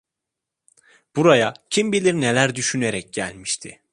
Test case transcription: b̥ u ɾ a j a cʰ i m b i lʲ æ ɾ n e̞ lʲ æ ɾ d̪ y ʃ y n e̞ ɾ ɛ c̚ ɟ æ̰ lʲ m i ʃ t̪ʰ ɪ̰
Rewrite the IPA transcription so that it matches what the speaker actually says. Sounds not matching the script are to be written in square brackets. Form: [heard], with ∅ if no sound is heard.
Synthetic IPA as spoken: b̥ u ɾ a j a cʰ i m b i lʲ [i] ɾ n e̞ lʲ æ ɾ d̪ y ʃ y n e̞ ɾ ɛ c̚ ɟ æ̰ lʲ m i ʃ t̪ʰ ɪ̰